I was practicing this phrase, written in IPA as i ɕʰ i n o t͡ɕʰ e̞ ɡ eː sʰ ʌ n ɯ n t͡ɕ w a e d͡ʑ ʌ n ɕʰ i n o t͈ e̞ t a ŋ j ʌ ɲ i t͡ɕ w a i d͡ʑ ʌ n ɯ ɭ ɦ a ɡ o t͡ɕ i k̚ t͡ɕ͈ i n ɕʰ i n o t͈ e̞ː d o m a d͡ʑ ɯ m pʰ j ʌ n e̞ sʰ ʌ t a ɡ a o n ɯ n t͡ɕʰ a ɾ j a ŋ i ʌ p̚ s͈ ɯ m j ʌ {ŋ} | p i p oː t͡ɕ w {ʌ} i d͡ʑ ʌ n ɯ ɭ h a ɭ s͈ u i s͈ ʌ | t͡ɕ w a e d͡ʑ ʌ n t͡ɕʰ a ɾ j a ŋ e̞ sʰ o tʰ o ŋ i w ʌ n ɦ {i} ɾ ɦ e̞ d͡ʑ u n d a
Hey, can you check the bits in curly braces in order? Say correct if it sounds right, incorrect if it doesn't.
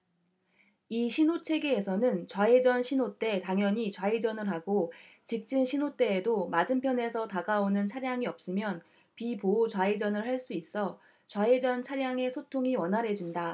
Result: incorrect: n, incorrect: a, incorrect: a

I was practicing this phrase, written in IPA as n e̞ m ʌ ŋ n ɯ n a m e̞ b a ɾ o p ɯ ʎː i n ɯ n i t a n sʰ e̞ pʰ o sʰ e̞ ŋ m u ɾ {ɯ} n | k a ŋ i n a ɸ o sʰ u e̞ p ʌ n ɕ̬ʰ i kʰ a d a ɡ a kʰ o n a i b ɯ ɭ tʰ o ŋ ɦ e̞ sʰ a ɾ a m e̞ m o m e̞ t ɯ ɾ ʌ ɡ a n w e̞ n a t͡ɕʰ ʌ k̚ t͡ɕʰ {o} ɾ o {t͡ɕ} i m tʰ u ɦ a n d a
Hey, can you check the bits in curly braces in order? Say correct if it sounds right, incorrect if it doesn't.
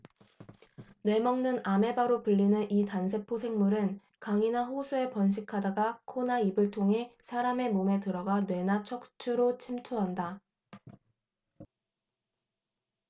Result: correct, incorrect: u, incorrect: t͡ɕʰ

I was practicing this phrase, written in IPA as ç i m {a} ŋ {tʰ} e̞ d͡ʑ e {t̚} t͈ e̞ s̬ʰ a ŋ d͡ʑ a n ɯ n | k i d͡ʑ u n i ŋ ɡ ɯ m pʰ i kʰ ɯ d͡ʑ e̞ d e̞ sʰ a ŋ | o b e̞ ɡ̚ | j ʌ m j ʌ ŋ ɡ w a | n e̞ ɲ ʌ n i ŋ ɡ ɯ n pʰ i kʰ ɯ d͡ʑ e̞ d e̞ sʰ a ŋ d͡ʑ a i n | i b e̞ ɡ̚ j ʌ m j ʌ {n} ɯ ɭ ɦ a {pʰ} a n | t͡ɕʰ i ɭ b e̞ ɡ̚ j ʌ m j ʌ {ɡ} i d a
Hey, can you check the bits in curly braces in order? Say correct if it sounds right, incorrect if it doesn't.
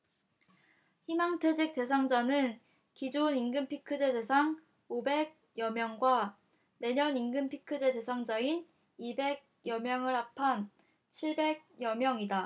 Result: correct, correct, incorrect: k̚, incorrect: ŋ, correct, incorrect: ŋ

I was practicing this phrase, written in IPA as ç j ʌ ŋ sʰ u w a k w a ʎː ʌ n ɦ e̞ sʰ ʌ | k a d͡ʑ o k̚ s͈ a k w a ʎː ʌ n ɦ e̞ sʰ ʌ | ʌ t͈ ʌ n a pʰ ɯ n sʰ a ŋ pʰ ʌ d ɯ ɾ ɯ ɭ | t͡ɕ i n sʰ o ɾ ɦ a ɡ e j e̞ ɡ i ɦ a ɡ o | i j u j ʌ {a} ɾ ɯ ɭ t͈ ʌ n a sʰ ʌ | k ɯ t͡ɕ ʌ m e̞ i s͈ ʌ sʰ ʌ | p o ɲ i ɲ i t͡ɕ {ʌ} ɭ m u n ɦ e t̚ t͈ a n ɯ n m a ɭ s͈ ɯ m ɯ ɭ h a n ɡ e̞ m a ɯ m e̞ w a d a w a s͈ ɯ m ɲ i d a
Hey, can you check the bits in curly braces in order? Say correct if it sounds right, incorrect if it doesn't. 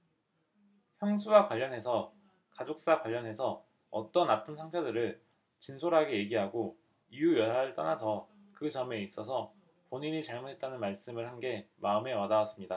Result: correct, incorrect: a

